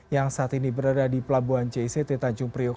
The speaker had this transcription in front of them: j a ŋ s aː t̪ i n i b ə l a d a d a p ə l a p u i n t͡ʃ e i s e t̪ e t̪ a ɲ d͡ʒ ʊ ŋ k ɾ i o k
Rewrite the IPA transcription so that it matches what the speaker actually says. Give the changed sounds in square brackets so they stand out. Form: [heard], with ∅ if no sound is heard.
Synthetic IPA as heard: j a ŋ s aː t̪ i n i b ə [ɾ] a d a d [i] p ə l a [b] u [a] n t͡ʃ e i s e t̪ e t̪ a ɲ d͡ʒ ʊ ŋ [p] ɾ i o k